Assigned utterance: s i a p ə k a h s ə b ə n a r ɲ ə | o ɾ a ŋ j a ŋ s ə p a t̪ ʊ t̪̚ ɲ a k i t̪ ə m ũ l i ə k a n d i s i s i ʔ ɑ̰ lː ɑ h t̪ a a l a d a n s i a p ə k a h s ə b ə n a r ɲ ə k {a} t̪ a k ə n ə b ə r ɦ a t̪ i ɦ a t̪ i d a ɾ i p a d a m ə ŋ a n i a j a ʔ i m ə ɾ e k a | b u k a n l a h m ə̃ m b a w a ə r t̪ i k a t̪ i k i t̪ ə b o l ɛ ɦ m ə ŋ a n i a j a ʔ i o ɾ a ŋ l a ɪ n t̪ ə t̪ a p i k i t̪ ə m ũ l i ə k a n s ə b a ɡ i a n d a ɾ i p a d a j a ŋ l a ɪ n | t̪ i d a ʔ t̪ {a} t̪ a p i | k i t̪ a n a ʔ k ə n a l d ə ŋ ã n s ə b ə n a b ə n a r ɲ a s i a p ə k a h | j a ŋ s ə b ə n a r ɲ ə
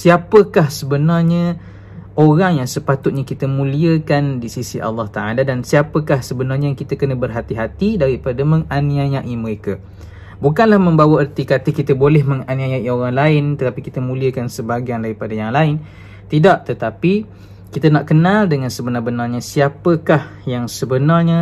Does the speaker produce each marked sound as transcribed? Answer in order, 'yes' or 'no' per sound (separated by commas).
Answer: no, no